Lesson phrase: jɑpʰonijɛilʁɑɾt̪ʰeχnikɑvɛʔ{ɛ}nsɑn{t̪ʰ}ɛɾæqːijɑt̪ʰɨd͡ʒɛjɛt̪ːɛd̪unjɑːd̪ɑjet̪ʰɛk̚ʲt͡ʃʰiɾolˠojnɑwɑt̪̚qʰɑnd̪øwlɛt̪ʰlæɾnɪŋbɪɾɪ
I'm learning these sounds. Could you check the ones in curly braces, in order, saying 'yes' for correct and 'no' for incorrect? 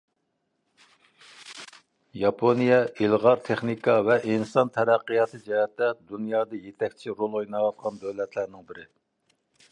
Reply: no, yes

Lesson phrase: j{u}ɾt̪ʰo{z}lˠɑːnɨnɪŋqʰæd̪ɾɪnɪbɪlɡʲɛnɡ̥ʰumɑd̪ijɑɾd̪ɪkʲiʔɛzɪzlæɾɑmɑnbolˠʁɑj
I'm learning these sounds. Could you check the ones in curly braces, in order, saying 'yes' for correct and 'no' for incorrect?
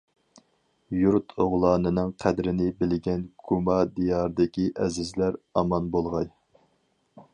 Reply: yes, no

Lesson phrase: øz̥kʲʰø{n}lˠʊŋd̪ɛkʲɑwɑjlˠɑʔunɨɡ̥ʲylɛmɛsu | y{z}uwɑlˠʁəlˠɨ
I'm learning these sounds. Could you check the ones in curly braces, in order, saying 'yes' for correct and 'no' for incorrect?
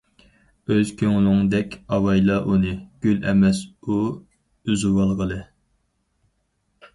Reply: no, yes

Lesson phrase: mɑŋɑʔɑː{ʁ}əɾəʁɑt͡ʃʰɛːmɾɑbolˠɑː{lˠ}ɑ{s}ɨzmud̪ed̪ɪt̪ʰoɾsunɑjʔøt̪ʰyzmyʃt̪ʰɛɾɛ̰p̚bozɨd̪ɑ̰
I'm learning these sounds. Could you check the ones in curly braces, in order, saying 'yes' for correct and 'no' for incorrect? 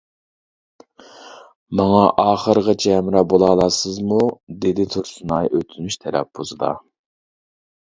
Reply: no, yes, yes

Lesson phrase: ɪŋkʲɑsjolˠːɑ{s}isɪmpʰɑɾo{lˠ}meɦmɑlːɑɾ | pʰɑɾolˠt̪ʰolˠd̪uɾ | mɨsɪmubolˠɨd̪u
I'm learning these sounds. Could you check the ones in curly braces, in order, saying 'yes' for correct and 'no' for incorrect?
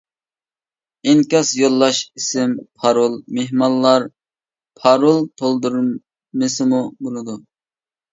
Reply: no, yes

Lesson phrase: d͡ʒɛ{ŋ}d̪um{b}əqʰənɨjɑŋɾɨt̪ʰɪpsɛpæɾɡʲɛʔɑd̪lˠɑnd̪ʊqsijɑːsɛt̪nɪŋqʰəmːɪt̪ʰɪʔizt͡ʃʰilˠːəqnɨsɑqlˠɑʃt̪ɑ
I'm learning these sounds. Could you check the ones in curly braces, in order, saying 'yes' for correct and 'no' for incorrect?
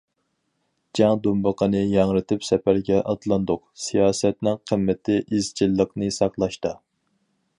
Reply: yes, yes

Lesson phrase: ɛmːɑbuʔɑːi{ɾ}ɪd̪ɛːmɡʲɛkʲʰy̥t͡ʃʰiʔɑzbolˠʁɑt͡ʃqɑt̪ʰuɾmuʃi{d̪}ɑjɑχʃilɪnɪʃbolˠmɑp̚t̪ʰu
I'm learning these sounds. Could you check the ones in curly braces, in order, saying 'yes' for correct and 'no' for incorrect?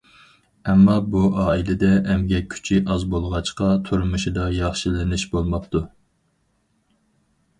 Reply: no, yes

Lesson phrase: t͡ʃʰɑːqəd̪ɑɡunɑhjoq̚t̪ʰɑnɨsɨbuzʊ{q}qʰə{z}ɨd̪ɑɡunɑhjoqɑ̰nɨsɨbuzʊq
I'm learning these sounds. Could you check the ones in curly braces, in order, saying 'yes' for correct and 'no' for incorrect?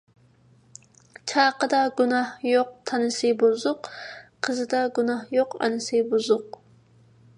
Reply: yes, yes

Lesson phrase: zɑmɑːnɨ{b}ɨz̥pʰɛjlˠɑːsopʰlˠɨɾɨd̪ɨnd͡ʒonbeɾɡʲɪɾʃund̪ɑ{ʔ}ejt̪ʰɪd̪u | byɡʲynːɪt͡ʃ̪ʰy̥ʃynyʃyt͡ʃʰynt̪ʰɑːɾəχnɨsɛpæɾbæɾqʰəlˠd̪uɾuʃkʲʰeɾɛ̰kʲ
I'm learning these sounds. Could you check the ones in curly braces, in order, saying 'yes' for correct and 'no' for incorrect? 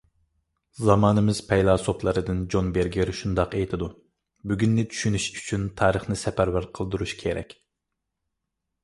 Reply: no, no

